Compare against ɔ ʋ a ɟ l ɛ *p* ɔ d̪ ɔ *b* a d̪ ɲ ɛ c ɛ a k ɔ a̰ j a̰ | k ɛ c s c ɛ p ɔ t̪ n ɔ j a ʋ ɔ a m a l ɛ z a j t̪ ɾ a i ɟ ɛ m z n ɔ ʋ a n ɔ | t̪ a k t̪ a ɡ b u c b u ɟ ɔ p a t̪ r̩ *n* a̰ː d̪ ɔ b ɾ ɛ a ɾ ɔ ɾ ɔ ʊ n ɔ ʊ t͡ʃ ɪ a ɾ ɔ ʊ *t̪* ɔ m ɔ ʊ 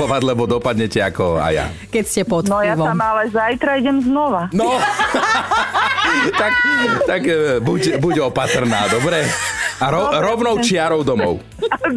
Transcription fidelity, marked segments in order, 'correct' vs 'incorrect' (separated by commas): incorrect, incorrect, correct, incorrect